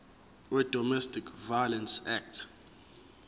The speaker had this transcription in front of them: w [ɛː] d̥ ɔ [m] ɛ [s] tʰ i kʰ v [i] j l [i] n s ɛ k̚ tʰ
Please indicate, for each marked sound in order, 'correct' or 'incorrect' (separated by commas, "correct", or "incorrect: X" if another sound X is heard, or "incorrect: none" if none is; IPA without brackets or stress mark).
incorrect: ɛ, correct, correct, incorrect: a, incorrect: ɛ